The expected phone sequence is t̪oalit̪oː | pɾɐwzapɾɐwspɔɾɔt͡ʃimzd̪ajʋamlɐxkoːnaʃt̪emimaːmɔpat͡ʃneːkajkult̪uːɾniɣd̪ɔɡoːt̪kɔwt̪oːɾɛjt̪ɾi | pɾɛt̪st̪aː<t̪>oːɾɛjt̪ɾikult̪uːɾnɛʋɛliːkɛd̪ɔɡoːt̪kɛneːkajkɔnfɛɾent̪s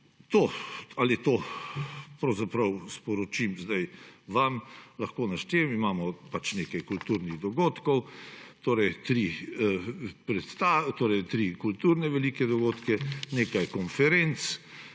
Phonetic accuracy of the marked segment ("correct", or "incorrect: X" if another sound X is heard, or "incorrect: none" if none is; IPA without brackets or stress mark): correct